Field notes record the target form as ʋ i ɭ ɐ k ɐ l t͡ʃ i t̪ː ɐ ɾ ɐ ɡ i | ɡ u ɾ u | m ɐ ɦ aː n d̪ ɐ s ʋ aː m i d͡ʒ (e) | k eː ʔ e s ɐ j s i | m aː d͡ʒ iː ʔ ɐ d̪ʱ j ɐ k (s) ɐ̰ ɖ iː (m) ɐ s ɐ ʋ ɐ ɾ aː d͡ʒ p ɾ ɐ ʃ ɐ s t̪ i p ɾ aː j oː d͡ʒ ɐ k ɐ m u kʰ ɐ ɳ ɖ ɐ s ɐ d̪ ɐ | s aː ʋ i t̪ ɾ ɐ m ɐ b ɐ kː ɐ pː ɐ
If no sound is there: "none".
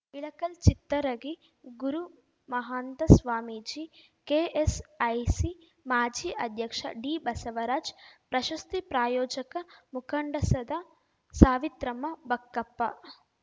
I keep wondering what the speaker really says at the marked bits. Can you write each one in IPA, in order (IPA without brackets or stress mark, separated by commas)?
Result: i, ʂ, b